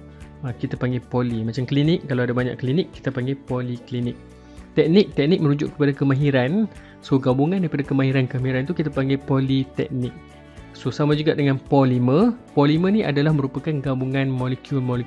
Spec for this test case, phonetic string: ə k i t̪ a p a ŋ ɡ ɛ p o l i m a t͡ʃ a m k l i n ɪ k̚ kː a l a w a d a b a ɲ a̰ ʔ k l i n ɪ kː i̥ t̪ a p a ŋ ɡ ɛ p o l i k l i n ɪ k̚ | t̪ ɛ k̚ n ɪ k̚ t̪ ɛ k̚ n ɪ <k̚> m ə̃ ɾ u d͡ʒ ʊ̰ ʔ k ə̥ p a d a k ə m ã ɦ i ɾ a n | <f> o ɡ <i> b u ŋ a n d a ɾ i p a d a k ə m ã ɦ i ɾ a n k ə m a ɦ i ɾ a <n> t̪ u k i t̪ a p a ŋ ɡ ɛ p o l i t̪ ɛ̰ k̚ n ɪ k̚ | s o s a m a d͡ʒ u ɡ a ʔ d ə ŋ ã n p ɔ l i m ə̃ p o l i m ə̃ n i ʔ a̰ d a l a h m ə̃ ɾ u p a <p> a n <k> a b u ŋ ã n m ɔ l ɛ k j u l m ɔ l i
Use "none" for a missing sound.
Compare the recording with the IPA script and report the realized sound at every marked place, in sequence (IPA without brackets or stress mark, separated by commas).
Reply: k̚, s, a, n, k, ɡ